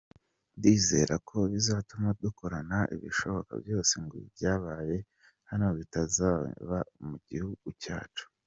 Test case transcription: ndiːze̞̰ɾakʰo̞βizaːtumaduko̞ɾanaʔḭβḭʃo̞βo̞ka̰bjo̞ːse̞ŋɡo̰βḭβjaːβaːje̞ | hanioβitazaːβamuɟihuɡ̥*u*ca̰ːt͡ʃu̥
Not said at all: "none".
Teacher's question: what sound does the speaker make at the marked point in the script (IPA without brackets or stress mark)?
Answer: u